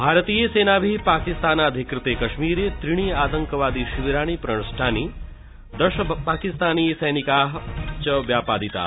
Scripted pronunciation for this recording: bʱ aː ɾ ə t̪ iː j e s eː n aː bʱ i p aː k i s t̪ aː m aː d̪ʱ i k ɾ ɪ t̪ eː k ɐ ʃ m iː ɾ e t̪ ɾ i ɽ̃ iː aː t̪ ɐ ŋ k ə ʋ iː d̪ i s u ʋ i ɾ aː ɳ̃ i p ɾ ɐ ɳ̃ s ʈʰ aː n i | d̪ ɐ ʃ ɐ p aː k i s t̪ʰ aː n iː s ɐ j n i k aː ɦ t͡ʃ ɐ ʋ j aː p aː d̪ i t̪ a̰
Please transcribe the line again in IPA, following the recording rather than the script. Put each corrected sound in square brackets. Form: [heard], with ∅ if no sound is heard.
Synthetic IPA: bʱ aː ɾ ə t̪ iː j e s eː n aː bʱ i p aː k i s t̪ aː [n] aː d̪ʱ i k ɾ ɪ t̪ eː k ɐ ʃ m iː ɾ e t̪ ɾ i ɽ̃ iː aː t̪ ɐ ŋ k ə ʋ [aː] d̪ i [ʃ] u ʋ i ɾ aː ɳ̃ i p ɾ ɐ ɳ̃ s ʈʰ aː n i | d̪ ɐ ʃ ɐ p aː k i s [t̪] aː n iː s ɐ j n i k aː ɦ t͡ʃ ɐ ʋ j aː p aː d̪ i t̪ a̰